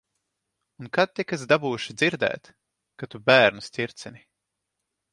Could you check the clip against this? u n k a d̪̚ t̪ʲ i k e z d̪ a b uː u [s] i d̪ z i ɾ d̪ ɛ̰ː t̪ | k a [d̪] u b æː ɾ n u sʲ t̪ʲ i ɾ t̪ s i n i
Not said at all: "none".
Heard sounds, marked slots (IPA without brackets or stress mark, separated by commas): ʃ, t̪